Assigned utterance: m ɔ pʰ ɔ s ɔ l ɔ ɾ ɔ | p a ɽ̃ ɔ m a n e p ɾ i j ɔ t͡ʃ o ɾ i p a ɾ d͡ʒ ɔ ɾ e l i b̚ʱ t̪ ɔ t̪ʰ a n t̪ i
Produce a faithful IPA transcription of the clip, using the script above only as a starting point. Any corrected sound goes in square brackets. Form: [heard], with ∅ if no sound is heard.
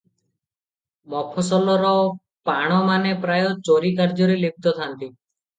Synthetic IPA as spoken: m ɔ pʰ ɔ s ɔ l ɔ ɾ ɔ | p a ɽ̃ ɔ m a n e p ɾ [a] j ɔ t͡ʃ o ɾ i [k] a ɾ d͡ʒ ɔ ɾ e l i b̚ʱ t̪ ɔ t̪ʰ a n t̪ i